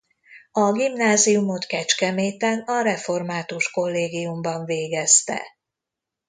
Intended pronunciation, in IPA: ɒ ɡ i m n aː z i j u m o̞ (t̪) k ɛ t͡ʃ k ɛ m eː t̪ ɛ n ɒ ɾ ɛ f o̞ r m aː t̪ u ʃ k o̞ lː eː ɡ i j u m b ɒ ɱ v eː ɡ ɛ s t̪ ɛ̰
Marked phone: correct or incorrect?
correct